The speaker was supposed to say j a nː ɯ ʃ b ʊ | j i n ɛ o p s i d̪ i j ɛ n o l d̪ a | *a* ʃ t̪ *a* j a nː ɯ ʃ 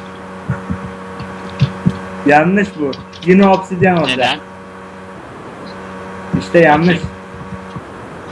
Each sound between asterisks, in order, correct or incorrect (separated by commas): incorrect, incorrect